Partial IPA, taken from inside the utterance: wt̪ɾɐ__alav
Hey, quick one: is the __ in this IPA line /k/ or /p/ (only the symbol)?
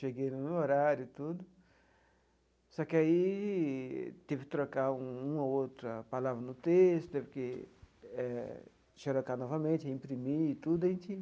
p